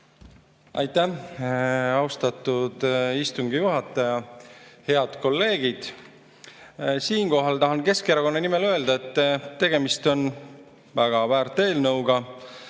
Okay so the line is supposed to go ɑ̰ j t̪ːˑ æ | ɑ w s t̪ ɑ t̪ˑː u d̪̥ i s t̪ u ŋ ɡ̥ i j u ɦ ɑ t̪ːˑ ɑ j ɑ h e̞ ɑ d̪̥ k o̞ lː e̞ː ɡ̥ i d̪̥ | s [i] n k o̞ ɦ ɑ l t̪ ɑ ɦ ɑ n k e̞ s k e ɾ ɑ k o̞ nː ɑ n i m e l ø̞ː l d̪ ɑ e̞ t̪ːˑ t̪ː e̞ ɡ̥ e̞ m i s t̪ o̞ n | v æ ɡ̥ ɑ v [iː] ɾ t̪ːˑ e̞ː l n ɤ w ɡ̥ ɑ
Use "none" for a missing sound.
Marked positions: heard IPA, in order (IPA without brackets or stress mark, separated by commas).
iː, æː